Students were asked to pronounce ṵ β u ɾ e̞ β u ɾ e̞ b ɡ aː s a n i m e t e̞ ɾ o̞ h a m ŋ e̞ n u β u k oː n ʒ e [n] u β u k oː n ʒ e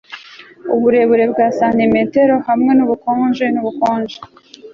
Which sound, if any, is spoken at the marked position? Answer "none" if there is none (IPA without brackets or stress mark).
n